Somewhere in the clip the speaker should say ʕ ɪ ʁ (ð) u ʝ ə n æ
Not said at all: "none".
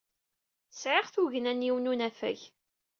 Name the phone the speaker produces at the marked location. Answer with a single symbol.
θ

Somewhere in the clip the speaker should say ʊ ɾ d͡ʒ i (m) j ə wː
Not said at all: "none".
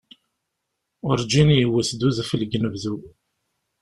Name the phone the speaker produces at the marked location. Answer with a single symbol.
n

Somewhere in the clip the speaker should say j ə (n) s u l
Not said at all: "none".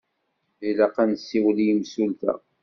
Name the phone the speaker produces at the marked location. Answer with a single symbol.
m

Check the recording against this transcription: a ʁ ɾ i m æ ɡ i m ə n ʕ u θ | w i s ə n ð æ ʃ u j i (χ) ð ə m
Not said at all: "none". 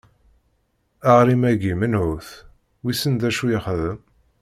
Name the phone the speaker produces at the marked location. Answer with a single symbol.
χ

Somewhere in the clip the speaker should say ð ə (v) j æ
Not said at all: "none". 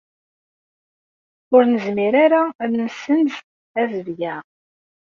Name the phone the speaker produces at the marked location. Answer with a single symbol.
v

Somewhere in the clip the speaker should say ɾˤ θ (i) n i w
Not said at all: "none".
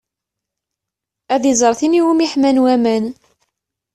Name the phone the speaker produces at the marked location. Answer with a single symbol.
i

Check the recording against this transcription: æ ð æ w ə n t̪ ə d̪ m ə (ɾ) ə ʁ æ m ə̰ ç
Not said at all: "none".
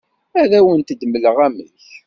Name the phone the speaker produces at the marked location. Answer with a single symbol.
l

